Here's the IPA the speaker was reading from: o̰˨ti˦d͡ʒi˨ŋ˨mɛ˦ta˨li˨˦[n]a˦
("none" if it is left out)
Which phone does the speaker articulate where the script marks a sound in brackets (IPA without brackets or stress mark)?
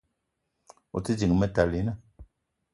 n